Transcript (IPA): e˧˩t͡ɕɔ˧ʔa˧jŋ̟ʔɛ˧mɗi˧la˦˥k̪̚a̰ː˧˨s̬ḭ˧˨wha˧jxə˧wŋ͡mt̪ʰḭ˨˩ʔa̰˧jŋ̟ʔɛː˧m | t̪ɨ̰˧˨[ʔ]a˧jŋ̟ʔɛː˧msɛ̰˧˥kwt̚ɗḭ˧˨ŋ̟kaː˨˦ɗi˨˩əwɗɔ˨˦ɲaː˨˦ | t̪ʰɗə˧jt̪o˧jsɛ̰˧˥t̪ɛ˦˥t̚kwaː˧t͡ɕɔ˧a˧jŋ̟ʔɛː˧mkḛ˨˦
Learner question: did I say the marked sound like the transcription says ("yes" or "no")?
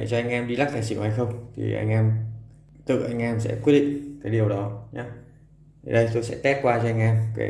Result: yes